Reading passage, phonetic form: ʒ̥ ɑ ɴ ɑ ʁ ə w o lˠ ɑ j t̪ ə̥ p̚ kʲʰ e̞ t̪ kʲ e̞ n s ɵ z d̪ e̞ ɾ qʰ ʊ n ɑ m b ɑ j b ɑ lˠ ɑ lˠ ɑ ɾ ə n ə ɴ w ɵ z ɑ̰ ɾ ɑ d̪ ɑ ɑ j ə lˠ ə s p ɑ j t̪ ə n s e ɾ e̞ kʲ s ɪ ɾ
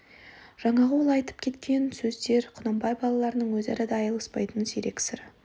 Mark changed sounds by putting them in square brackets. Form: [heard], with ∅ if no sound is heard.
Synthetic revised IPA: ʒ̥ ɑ ɴ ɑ ʁ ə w o lˠ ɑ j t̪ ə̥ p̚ kʲʰ e̞ t̪ kʲ e̞ n s ɵ z d̪ e̞ ɾ qʰ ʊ n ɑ m b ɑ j b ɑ lˠ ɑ lˠ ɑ ɾ ə n ə ɴ w ɵ z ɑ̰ ɾ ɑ d̪ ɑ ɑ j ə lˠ ə s p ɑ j t̪ ə n s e ɾ e̞ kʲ s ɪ ɾ